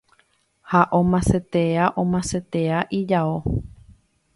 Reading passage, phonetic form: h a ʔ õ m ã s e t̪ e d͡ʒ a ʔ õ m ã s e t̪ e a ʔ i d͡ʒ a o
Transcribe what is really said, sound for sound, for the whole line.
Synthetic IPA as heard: h a ʔ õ m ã s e t̪ e a ʔ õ m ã s e t̪ e a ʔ i d͡ʒ a o